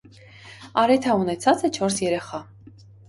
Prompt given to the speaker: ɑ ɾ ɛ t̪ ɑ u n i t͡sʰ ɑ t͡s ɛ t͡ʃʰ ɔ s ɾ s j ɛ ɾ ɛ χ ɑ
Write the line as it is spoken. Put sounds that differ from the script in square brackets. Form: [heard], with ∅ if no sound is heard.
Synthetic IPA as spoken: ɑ ɾ ɛ [t̪ʰ] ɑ u n [ɛ] t͡sʰ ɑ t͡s ɛ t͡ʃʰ ɔ [∅] ɾ s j ɛ ɾ ɛ χ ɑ